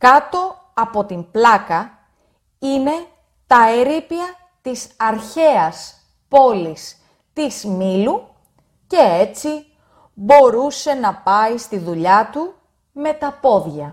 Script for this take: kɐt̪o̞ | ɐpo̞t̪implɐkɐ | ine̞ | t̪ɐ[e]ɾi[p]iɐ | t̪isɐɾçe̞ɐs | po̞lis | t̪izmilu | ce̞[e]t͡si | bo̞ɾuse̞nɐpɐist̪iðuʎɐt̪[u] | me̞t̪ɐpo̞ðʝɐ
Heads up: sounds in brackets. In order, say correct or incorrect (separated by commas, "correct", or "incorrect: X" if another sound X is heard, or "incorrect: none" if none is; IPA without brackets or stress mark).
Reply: correct, correct, correct, correct